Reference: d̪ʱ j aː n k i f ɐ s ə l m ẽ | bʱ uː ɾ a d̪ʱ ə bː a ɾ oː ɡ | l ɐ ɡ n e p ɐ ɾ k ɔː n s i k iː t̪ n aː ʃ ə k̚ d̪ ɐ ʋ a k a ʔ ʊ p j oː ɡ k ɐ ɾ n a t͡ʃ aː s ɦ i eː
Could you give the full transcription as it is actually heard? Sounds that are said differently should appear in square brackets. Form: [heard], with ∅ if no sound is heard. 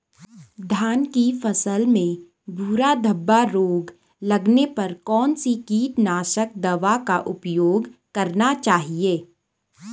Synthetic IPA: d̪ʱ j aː n k i f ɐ s ə l m ẽ | bʱ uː ɾ a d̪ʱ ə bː a ɾ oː ɡ | l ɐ ɡ n e p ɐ ɾ k ɔː n s i k iː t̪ n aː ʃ ə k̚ d̪ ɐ ʋ a k a ʔ ʊ p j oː ɡ k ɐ ɾ n a t͡ʃ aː [∅] ɦ i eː